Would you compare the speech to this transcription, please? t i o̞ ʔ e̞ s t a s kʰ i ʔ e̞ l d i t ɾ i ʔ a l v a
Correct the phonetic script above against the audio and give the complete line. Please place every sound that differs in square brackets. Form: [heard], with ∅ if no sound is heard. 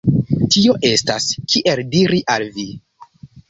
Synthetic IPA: t i o̞ ʔ e̞ s t a s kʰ i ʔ e̞ l d i [∅] ɾ i ʔ a l v [i]

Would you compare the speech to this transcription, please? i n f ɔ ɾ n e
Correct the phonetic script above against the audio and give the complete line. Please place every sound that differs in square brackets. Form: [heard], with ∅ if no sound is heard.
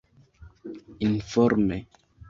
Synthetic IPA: i n f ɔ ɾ [m] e

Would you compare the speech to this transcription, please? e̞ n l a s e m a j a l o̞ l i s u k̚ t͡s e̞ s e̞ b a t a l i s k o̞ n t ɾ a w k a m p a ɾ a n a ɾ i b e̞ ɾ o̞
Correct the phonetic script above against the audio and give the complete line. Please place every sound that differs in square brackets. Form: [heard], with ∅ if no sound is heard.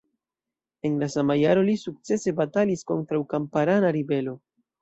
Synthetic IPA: e̞ n l a s [a] m a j a [ɾ] o̞ l i s u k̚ t͡s e̞ s e̞ b a t a l i s k o̞ n t ɾ a w k a m p a ɾ a n a ɾ i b e̞ [l] o̞

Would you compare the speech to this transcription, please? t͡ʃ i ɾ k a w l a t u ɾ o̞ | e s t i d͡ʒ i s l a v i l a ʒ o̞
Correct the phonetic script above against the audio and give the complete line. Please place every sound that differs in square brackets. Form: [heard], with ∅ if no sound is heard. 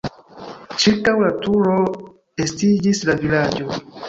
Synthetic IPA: t͡ʃ i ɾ k a w l a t u ɾ o̞ | e s t i d͡ʒ i s l a v i l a [d͡ʒ] o̞

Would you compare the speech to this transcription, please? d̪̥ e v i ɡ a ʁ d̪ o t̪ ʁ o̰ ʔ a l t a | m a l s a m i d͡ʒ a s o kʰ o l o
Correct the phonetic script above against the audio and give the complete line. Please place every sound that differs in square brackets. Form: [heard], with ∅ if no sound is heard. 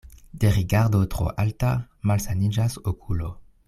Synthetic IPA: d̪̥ e [ʁ] i ɡ a ʁ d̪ o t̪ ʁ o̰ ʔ a l t a | m a l s a [n] i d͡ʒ a s o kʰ [u] l o

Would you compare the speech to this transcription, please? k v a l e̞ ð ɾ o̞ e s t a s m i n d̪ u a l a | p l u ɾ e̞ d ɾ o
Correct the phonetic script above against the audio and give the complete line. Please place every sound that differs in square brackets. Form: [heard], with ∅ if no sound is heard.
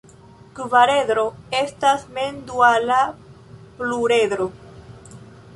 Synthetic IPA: k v a [ɾ] e̞ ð ɾ o̞ e s t a s m [e] n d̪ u a l a | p l u ɾ e̞ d ɾ o

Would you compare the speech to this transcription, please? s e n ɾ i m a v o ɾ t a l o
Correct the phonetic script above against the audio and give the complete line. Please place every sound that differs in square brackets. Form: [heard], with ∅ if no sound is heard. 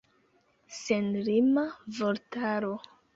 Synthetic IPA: s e n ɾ i m a v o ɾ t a [ɾ] o

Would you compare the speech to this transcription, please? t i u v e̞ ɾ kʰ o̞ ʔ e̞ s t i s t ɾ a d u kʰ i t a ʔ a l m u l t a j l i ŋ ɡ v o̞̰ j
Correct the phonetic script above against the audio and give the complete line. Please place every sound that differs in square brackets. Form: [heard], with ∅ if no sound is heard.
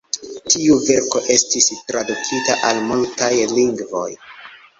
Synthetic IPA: t i u v e̞ ɾ [k] o̞ ʔ e̞ s t i s t ɾ a d u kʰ i t a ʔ a l m u l t a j l i ŋ ɡ v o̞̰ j

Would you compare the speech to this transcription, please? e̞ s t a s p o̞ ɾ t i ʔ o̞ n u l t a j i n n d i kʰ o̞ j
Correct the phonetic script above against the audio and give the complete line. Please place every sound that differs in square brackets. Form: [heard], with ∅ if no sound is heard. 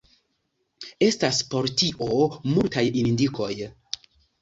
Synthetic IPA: e̞ s t a s p o̞ ɾ t i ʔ o̞ [m] u l t a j i n n d i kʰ o̞ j

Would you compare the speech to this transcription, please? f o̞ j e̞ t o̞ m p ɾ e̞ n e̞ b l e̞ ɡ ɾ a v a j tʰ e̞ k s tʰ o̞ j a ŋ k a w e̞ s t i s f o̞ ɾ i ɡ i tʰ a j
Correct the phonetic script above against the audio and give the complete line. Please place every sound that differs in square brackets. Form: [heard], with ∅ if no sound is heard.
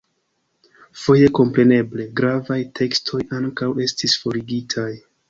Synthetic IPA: f o̞ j e̞ [k] o̞ m p ɾ e̞ n e̞ b l e̞ ɡ ɾ a v a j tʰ e̞ k s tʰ o̞ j a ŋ k a w e̞ s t i s f o̞ ɾ i ɡ i tʰ a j

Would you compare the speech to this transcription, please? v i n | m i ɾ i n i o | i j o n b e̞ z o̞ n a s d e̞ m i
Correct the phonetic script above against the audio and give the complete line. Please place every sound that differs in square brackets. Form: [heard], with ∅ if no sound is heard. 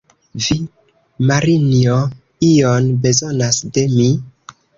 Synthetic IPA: v i [∅] | m [a] ɾ i n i o | i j o n b e̞ z o̞ n a s d e̞ m i

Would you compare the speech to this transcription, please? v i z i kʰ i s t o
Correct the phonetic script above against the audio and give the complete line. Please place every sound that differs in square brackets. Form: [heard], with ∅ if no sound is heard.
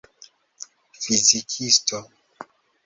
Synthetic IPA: [f] i z i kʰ i s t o

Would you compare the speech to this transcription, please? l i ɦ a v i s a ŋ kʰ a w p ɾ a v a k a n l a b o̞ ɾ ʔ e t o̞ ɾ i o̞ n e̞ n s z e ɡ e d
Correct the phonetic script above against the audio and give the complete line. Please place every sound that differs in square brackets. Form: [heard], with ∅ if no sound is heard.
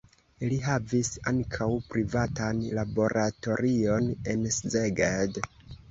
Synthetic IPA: l i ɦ a v i s a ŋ kʰ a w p ɾ [i] v a [t] a n l a b o̞ ɾ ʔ [a] t o̞ ɾ i o̞ n e̞ n s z e ɡ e d

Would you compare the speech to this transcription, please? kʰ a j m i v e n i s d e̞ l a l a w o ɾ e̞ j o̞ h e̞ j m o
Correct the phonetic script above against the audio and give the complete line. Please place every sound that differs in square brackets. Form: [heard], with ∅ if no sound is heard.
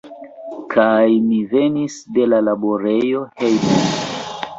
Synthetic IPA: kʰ a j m i v e n i s d e̞ l a l a [b] o ɾ e̞ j o̞ h e̞ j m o

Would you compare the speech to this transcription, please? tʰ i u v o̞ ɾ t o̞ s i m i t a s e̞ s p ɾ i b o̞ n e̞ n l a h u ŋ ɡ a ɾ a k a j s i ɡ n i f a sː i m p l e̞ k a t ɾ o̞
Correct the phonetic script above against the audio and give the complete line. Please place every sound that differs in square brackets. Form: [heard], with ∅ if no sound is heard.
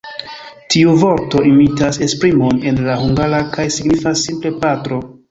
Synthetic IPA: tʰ i u v o̞ ɾ t o̞ [∅] i m i t a s e̞ s p ɾ i [m] o̞ n e̞ n l a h u ŋ ɡ a ɾ a k a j s i ɡ n i f a sː i m p l e̞ [p] a t ɾ o̞

